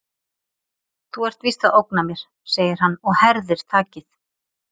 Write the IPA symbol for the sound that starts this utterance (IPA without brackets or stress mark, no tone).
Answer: θ